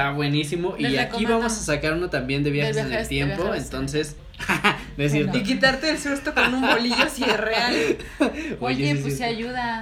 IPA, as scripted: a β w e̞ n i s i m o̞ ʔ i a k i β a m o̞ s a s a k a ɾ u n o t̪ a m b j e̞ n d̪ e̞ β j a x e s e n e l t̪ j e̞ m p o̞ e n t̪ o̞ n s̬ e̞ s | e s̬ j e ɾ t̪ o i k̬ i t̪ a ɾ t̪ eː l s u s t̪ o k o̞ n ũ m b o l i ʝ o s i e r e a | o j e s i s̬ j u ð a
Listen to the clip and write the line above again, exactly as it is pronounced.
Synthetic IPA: a β w e̞ n i s i m o̞ ʔ i a k i β a m o̞ s a s a k a ɾ u n o t̪ a m b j e̞ n d̪ e̞ β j a x e s e n e l t̪ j e̞ m p o̞ e n t̪ o̞ n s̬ e̞ s | e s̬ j e ɾ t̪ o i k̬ i t̪ a ɾ t̪ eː l s u s t̪ o k o̞ n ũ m b o l i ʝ o s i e r e a | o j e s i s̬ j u ð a